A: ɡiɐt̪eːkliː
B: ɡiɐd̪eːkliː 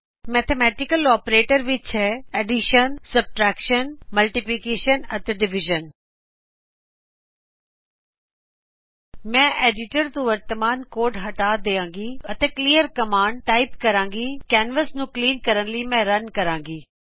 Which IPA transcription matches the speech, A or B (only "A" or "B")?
A